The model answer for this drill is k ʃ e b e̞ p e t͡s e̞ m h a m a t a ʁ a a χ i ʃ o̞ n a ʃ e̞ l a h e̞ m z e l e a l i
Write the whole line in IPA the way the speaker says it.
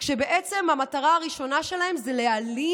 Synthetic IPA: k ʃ e b e̞ ʔ e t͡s e̞ m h a m a t a ʁ a a ʁ i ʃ o̞ n a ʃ e̞ l a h e̞ m z e l e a l i